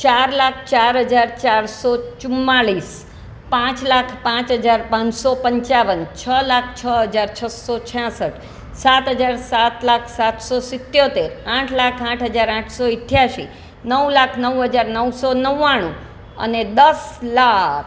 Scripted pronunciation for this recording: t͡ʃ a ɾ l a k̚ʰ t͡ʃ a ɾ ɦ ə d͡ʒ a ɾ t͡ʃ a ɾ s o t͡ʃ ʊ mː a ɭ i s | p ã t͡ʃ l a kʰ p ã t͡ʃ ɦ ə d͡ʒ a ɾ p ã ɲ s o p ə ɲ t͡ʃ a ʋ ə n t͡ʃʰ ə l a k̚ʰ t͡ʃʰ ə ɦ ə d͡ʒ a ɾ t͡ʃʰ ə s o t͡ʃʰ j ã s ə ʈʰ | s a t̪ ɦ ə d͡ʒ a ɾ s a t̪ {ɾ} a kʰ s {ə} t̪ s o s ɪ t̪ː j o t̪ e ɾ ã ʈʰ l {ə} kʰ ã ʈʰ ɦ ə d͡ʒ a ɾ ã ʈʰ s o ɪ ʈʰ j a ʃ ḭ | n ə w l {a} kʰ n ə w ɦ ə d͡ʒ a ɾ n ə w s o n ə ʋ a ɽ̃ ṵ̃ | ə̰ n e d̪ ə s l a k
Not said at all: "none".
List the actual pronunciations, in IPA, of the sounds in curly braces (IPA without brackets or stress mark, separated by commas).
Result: l, a, a, a